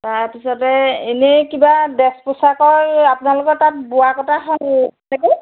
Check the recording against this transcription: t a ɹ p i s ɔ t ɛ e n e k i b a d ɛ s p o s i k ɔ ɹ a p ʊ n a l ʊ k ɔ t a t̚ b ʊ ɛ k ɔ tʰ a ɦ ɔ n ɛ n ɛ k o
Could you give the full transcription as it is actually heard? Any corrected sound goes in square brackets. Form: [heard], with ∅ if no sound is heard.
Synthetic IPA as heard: t a ɹ p i s ɔ t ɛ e n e k i b a d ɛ s p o s [a] k ɔ ɹ a p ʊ n a l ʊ k ɔ t a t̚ b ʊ [a] k ɔ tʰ a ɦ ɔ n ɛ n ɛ k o